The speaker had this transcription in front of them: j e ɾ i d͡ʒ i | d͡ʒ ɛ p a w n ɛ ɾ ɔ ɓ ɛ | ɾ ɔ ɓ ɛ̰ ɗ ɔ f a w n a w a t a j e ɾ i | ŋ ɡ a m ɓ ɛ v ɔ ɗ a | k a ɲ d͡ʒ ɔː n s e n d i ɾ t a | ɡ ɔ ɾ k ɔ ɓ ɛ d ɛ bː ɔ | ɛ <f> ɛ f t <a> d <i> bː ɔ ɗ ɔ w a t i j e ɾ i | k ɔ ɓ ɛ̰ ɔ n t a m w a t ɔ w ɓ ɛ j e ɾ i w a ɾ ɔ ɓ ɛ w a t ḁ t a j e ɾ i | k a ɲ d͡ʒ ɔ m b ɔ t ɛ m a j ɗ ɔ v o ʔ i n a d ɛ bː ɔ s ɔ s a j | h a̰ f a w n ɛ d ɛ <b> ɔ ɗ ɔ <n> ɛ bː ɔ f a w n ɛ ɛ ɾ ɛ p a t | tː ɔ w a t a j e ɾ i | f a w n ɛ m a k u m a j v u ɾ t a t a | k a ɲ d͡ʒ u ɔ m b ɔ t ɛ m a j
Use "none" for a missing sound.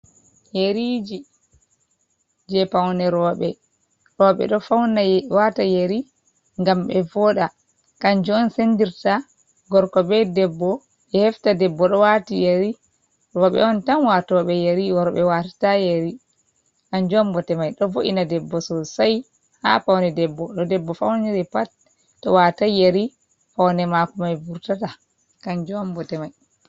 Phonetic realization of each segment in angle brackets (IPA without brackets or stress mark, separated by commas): h, a, ɛ, bː, d